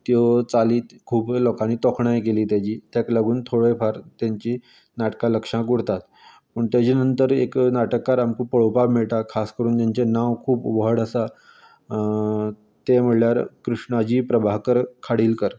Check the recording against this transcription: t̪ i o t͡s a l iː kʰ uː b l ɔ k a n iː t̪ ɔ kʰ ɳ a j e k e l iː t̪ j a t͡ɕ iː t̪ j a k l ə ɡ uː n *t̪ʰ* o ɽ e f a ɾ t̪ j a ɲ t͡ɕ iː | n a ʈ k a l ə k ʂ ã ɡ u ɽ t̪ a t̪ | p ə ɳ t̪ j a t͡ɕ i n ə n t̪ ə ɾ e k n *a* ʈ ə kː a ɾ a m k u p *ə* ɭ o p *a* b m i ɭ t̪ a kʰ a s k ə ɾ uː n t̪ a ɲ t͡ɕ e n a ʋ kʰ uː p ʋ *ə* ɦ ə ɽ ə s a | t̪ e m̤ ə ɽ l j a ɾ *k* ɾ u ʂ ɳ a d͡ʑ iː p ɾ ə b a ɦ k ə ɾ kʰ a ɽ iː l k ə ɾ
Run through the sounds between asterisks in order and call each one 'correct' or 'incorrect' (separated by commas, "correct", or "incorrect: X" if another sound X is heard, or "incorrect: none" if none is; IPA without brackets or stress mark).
correct, correct, correct, correct, correct, correct